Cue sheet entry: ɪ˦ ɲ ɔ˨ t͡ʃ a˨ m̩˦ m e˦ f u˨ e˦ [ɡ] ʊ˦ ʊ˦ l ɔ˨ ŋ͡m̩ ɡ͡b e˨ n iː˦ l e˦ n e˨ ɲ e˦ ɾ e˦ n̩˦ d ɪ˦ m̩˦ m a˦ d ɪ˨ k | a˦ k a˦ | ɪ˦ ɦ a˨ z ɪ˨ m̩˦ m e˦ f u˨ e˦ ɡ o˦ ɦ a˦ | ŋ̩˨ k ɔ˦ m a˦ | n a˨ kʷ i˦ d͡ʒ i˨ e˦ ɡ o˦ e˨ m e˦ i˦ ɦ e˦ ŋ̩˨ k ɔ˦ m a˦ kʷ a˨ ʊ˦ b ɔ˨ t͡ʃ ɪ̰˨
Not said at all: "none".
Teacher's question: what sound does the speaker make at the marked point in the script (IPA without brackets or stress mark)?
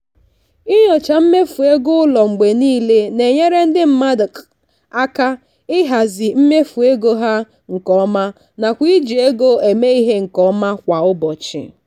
ɡ